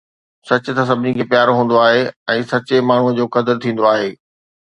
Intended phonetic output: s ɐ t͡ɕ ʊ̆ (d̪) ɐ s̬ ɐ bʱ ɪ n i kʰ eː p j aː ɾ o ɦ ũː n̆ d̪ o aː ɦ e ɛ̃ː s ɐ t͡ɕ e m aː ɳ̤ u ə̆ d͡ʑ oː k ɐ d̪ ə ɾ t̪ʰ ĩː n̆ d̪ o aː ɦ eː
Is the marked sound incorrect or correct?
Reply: incorrect